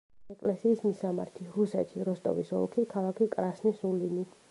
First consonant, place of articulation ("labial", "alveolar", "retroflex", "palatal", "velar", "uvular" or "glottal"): velar